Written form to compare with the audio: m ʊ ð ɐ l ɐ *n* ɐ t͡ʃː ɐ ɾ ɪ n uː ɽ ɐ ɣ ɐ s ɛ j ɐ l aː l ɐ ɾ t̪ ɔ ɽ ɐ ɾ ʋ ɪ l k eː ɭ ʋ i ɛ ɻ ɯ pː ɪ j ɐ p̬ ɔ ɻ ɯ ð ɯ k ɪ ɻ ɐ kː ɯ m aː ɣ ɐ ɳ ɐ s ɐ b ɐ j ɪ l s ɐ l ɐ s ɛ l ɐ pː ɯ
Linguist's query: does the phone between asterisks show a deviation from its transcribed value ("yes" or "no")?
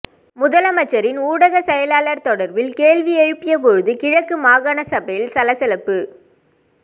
yes